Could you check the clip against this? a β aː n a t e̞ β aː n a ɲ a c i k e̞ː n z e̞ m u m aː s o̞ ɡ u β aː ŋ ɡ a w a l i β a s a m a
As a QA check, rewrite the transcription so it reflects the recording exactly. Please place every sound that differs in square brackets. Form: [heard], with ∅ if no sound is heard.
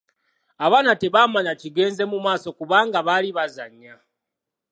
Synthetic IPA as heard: a β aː n a t e̞ β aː [m] a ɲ a c i [ɡ] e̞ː n z e̞ m u m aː s o̞ [k] u β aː ŋ ɡ a [β] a l i β a [z] a [ɲ] a